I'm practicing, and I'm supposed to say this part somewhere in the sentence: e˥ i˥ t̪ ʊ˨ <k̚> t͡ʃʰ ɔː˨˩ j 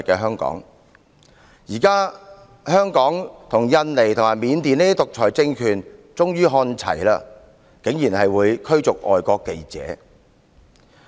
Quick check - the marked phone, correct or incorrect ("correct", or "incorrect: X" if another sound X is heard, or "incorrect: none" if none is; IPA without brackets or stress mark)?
correct